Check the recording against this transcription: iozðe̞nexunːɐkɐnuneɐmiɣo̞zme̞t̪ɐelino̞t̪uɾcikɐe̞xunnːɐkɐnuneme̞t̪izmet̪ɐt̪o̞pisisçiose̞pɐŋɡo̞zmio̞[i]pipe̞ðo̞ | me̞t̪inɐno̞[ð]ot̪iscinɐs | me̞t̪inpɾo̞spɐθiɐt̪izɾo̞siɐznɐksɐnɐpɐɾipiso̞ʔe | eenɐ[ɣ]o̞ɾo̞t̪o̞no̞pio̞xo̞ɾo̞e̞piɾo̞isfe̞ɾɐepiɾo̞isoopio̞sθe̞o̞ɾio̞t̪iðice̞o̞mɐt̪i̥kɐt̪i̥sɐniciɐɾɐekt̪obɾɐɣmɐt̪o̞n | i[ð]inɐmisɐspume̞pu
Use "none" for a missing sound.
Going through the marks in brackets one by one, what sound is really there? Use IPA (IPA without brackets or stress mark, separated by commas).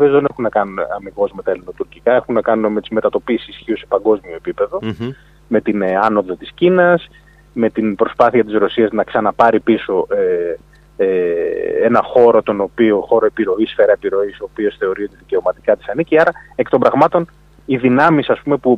e, ð, x, ð